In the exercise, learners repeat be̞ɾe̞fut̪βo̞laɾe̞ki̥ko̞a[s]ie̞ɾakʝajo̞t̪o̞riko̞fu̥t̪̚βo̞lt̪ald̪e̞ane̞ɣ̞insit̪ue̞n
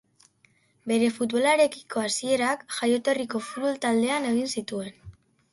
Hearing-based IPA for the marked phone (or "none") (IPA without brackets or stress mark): s